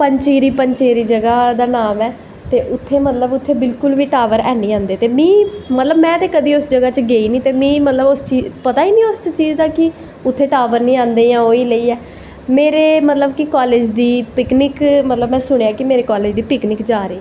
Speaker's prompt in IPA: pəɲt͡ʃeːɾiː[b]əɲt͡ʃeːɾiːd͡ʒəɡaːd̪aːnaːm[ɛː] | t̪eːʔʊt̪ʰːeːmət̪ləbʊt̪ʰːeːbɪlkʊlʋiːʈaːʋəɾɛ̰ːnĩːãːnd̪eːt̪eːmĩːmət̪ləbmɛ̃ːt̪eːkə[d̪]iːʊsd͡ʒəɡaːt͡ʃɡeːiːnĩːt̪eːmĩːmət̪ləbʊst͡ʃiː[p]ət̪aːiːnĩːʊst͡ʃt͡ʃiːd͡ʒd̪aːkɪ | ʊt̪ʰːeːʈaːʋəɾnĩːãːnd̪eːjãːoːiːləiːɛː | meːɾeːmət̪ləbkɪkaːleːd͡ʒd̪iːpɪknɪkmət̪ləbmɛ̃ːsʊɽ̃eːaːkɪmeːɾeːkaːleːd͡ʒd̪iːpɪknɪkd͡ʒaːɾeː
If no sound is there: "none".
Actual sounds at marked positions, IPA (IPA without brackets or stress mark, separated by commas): p, ɛː, d̪, p